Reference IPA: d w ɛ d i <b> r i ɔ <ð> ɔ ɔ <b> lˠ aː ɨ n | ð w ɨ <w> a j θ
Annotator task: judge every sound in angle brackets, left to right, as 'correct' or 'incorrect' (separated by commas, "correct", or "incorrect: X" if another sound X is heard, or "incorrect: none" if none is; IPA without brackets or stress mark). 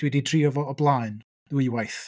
incorrect: d, incorrect: v, correct, correct